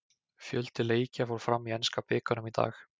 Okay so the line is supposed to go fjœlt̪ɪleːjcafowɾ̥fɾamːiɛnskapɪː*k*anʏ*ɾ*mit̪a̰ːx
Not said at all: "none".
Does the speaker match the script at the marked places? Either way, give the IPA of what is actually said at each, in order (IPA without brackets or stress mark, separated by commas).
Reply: k, none